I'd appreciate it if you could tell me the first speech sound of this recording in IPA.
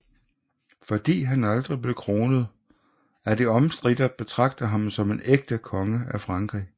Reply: f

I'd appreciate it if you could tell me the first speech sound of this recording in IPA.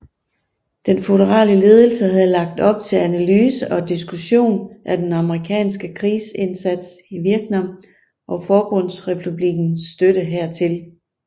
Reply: d̥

